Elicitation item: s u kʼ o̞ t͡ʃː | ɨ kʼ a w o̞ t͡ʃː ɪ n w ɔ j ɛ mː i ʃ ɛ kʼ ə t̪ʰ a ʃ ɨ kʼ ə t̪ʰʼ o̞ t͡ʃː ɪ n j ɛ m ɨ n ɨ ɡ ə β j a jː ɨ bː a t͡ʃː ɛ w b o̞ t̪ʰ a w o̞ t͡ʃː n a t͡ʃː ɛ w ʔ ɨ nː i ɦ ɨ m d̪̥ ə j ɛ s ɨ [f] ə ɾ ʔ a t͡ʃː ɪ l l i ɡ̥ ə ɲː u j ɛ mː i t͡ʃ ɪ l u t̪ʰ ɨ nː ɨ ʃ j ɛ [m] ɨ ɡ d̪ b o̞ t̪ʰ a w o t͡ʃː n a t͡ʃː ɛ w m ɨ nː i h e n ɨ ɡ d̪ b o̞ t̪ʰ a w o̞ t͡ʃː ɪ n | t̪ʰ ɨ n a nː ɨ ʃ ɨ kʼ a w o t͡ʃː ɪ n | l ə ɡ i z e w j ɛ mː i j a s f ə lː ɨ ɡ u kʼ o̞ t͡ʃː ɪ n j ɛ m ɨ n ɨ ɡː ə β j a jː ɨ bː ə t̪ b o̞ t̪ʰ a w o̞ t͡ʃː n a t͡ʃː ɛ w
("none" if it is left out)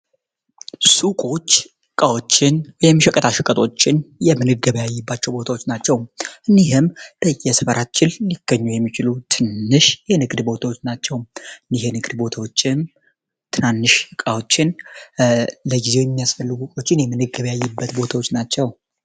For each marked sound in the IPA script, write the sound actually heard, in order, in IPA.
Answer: f, n

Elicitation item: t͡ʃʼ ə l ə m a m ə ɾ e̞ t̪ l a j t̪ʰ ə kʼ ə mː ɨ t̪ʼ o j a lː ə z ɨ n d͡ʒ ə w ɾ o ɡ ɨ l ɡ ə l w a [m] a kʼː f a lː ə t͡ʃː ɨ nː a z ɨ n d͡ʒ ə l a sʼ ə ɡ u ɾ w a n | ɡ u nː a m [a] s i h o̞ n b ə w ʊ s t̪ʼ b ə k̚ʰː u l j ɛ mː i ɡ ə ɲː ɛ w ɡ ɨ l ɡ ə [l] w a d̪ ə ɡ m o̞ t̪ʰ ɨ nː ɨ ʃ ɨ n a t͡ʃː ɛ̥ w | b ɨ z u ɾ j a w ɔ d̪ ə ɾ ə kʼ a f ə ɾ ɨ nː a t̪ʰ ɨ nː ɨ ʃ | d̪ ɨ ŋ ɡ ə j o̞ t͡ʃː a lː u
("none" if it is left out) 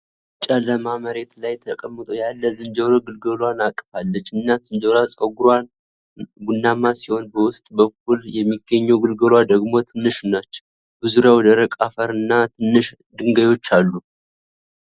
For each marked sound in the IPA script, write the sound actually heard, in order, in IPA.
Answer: n, a, l

